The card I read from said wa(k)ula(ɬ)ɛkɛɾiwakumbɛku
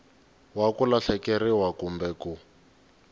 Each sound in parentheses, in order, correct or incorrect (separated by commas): correct, correct